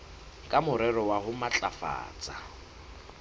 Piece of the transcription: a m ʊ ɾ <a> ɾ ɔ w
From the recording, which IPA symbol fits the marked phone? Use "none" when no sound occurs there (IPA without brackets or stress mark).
ɛ